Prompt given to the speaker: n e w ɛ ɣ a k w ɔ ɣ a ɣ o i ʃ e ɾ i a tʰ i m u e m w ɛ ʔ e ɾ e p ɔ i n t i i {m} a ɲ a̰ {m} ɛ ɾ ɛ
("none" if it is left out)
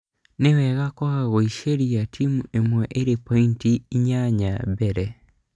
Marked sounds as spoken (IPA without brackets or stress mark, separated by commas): ɲ, b